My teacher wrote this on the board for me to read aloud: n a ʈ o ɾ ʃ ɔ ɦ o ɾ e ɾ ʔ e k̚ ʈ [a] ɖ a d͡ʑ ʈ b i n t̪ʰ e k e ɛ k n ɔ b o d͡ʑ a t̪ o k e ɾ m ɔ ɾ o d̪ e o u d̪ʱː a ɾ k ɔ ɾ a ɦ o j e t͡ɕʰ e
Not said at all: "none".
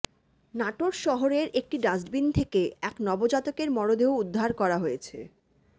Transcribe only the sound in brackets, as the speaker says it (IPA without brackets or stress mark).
i